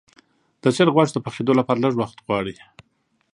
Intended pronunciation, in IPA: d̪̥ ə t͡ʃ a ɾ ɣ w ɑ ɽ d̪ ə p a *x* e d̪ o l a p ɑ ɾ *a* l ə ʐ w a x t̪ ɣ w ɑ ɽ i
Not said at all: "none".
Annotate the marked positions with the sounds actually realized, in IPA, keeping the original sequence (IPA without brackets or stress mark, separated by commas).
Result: x, a